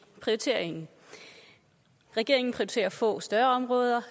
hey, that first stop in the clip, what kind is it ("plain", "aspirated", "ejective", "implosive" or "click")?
aspirated